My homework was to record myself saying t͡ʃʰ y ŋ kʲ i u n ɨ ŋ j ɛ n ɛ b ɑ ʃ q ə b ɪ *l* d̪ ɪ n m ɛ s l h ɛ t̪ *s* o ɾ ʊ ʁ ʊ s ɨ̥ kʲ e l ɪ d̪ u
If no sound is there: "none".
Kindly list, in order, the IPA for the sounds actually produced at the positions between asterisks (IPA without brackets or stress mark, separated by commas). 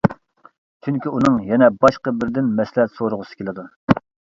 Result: ɾ, s